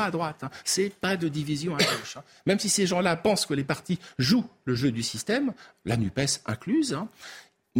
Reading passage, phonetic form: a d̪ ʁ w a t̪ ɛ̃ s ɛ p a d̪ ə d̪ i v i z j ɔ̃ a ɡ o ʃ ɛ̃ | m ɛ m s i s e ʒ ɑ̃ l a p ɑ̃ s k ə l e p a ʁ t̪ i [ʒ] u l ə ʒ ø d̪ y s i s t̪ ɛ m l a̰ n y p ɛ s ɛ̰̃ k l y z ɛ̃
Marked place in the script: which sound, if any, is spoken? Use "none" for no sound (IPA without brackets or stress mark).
ʒ